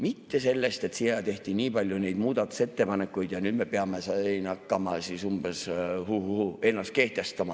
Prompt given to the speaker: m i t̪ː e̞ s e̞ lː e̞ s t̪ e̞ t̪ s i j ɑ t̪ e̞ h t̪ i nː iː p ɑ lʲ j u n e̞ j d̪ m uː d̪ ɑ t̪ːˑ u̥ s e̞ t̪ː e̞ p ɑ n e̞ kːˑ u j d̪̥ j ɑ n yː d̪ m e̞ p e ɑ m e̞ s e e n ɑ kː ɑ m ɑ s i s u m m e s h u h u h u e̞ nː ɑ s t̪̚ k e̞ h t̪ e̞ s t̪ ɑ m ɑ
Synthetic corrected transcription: m i t̪ː e̞ s e̞ lː e̞ s t̪ e̞ t̪ s i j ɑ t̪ e̞ h t̪ i n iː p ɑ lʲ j u n e̞ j d̪ m uː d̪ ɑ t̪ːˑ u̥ s e̞ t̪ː e̞ p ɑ n e̞ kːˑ u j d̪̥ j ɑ n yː d̪ m e̞ p e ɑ m e̞ s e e n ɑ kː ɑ m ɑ s i s u m b e s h u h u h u e̞ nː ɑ s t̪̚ k e̞ h t̪ e̞ s t̪ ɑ m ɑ